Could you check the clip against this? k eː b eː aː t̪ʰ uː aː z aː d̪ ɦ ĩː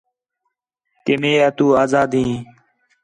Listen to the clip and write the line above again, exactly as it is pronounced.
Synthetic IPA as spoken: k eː m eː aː t̪ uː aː z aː d̪ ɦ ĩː